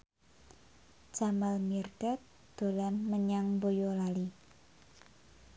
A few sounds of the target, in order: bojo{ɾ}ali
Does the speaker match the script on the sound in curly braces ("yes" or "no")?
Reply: no